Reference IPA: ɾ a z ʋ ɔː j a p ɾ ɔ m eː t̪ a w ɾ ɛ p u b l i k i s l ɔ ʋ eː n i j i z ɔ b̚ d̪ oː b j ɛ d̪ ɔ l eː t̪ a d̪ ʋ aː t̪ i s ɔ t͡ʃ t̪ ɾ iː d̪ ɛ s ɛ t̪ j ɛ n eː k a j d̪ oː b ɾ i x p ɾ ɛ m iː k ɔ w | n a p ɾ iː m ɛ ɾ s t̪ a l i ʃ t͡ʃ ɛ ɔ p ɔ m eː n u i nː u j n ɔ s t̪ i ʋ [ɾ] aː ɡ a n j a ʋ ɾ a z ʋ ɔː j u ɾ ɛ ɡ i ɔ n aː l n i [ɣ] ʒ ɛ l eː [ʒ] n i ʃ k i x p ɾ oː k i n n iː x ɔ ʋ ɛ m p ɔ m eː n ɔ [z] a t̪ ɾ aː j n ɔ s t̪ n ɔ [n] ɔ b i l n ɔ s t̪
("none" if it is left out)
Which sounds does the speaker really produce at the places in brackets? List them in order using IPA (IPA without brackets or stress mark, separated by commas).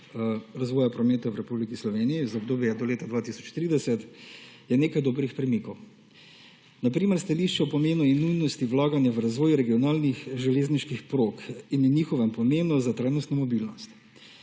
l, x, z, z, m